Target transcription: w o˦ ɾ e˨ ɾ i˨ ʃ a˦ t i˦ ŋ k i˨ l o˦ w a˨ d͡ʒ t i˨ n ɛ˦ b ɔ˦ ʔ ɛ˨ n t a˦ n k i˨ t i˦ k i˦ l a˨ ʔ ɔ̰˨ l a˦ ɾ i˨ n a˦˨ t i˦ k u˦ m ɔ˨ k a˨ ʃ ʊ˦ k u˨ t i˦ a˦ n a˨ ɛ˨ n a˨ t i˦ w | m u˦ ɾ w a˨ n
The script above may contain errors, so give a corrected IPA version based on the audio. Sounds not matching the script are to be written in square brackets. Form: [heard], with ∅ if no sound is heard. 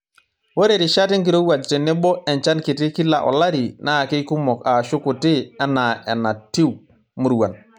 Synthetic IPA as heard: w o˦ ɾ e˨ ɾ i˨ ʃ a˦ t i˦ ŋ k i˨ [ɾ] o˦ w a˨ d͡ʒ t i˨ n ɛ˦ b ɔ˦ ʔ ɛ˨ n [t͡ʃ] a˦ n k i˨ t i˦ k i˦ l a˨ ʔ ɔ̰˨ l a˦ ɾ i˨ n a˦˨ [k] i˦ k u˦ m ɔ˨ k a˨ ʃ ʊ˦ k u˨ t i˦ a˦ n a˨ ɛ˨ n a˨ t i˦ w | m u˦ ɾ w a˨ n